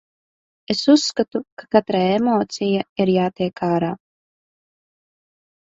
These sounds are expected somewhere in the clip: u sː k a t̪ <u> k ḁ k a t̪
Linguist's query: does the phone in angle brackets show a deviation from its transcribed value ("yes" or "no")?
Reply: no